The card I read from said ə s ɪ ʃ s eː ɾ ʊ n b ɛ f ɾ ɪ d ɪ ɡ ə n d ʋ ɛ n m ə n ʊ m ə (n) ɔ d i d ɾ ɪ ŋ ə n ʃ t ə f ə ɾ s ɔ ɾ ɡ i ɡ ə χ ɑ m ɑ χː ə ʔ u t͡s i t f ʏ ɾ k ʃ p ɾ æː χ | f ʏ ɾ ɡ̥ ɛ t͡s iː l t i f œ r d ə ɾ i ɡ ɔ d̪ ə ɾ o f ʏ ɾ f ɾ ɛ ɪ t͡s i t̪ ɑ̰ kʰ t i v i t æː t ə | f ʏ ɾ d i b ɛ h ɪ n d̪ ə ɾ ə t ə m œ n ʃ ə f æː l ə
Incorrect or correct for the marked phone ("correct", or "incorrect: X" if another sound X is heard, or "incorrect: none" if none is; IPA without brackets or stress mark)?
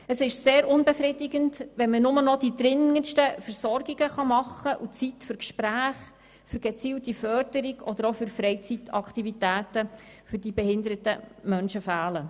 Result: correct